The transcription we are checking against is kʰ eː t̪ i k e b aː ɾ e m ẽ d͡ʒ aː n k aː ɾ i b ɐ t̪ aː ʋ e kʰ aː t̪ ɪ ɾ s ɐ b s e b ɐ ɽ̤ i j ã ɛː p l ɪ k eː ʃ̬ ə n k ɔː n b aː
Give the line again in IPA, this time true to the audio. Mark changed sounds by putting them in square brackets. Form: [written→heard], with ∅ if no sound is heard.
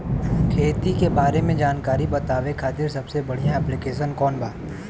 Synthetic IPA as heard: kʰ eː t̪ i k e b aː ɾ e m ẽ d͡ʒ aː n k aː ɾ i b ɐ t̪ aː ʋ e kʰ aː t̪ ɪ ɾ s ɐ b s e b ɐ ɽ̤ i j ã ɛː p l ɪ k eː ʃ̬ ə n k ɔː n b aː